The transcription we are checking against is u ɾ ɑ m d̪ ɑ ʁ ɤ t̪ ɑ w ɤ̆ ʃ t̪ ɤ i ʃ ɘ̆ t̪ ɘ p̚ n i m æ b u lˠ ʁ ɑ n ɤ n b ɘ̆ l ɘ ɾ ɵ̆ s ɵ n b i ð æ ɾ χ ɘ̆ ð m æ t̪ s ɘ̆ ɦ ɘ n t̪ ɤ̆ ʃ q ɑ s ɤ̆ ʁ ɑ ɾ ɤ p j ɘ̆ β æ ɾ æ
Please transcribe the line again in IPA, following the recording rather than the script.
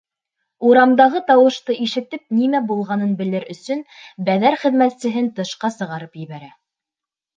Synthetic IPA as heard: u ɾ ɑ m d̪ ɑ ʁ ɤ t̪ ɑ w ɤ̆ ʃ t̪ ɤ i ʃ ɘ̆ t̪ ɘ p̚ n i m æ b u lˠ ʁ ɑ n ɤ n b ɘ̆ l ɘ ɾ ɵ̆ s ɵ n b æ ð æ ɾ χ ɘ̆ ð m æ t̪ s ɘ̆ ɦ ɘ n t̪ ɤ̆ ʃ q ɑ s ɤ̆ ʁ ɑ ɾ ɤ p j ɘ̆ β æ ɾ æ

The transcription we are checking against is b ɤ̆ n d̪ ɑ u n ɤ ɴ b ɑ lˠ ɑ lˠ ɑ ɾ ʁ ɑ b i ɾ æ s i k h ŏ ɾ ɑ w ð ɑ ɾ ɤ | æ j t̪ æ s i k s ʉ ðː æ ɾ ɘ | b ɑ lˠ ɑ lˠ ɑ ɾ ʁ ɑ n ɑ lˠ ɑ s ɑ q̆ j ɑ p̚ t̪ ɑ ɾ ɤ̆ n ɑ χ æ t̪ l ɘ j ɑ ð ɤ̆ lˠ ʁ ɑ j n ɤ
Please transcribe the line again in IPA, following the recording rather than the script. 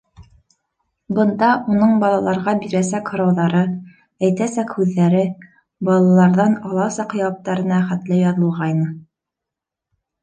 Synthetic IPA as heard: b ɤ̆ n d̪ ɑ u n ɤ ɴ b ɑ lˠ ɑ lˠ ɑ ɾ ʁ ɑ b i ɾ æ s æ k h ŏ ɾ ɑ w ð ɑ ɾ ɤ | æ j t̪ æ s æ k h ʉ ðː æ ɾ ɘ | b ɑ lˠ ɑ lˠ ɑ ɾ ð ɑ n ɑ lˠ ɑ s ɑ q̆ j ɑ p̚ t̪ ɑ ɾ ɤ̆ n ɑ χ æ t̪ l ɘ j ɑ ð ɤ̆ lˠ ʁ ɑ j n ɤ

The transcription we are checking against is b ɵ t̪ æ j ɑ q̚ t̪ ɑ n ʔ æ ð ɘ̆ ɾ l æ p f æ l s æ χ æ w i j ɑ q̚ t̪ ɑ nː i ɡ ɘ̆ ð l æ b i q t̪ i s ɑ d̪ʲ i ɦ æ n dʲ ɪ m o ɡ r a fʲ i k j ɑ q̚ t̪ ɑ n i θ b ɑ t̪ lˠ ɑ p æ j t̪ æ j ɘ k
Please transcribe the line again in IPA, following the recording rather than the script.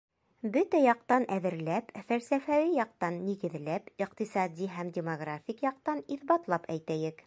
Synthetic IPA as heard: b ɵ t̪ æ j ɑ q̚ t̪ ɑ n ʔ æ ð ɘ̆ ɾ l æ p f æ l s æ f æ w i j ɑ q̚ t̪ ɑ nː i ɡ ɘ̆ ð l æ p i q t̪ i s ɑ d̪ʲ i ɦ æ m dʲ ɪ m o ɡ r a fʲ i k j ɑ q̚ t̪ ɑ n i θ b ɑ t̪ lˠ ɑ p æ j t̪ æ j ɘ k

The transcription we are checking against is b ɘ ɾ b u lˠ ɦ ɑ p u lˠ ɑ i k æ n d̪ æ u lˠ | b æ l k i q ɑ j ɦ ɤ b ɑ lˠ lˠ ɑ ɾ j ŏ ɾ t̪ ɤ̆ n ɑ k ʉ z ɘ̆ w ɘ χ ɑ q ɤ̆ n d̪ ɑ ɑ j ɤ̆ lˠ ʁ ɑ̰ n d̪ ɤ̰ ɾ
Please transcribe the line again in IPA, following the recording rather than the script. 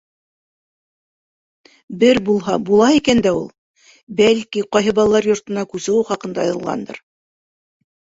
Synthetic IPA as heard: b ɘ ɾ b u lˠ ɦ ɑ b u lˠ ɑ i k æ n d̪ æ u lˠ | b æ l k i q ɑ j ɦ ɤ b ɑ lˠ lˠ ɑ ɾ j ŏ ɾ t̪ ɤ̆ n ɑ k ʉ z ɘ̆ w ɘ χ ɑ q ɤ̆ n d̪ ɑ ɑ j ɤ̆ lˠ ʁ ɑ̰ n d̪ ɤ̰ ɾ

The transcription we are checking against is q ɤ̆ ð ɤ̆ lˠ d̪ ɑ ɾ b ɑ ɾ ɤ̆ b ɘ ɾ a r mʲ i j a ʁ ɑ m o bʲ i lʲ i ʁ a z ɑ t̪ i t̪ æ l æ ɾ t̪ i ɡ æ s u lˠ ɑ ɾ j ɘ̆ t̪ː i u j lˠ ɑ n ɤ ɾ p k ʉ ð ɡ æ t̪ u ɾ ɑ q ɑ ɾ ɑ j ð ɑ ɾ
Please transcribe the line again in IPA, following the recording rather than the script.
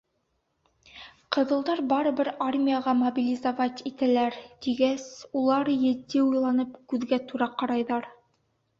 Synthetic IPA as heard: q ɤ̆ ð ɤ̆ lˠ d̪ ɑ ɾ b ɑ ɾ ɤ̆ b ɘ ɾ a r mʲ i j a ʁ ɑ m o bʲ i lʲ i z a v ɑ t̪ i t̪ æ l æ ɾ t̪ i ɡ æ s u lˠ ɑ ɾ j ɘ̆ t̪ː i u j lˠ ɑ n ɤ p k ʉ ð ɡ æ t̪ u ɾ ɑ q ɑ ɾ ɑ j ð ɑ ɾ

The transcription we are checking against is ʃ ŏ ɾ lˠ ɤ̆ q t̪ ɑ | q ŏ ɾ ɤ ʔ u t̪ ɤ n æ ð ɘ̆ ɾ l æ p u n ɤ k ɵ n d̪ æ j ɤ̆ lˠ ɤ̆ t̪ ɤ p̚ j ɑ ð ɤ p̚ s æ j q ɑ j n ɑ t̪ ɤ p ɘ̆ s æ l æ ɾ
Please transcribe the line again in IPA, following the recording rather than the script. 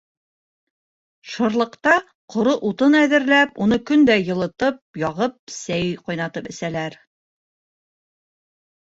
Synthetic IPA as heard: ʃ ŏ ɾ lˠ ɤ̆ q t̪ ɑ | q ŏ ɾ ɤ ʔ u t̪ ɤ n æ ð ɘ̆ ɾ l æ p u n ɤ k ɵ n d̪ æ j ɤ̆ lˠ ɤ̆ t̪ ɤ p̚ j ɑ ʁ ɤ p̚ s æ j q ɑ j n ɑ t̪ ɤ p ɘ̆ s æ l æ ɾ

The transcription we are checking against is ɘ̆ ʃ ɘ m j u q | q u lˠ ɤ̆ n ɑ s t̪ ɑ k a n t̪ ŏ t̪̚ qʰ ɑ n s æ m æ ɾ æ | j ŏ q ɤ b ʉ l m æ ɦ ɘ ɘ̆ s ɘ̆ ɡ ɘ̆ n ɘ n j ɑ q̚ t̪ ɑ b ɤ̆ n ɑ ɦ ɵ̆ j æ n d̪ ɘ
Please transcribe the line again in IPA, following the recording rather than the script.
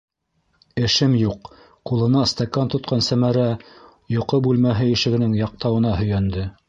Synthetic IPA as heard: ɘ̆ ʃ ɘ m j u q | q u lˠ ɤ̆ n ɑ s t̪ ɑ k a n t̪ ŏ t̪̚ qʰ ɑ n s æ m æ ɾ æ | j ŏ q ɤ b ʉ l m æ ɦ ɘ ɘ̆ ʃ ɘ̆ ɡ ɘ̆ n ɘ ŋ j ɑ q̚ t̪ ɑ w ɤ̆ n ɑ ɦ ɵ̆ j æ n d̪ ɘ

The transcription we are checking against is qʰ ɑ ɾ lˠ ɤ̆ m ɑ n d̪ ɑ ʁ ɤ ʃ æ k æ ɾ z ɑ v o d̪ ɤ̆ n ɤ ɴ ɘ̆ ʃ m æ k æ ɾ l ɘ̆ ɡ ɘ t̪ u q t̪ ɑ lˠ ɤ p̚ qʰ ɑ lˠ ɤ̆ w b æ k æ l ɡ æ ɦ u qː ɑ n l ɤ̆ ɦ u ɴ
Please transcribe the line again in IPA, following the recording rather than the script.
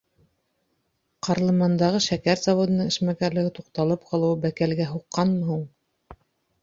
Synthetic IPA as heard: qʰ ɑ ɾ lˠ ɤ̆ m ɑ n d̪ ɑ ʁ ɤ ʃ æ k æ ɾ z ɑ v o d̪ ɤ̆ n ɤ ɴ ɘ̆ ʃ m æ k æ ɾ l ɘ̆ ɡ ɘ t̪ u q t̪ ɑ lˠ ɤ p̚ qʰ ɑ lˠ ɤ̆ w b æ k æ l ɡ æ ɦ u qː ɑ n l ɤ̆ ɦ u ɴ

